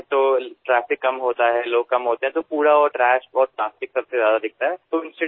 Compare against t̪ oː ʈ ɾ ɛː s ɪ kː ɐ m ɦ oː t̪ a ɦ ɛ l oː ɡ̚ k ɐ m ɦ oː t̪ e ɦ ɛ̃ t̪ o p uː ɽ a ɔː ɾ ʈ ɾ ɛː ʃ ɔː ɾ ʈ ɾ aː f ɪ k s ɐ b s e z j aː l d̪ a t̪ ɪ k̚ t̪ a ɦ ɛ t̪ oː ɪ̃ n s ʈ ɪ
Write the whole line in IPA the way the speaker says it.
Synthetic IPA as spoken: t̪ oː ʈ ɾ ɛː f ɪ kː ɐ m ɦ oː t̪ a ɦ ɛ l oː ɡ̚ k ɐ m ɦ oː t̪ e ɦ ɛ̃ t̪ o p uː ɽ a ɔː ɾ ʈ ɾ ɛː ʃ ɔː ɾ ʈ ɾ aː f ɪ k s ɐ b s e z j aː d̪ a d̪ ɪ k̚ t̪ a ɦ ɛ t̪ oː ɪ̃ n s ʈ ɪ